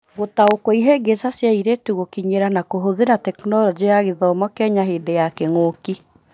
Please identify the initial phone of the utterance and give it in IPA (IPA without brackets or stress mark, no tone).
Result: ɣ